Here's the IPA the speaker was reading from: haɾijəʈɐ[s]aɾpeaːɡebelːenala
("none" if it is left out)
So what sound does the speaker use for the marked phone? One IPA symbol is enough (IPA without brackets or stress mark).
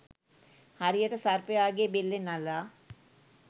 s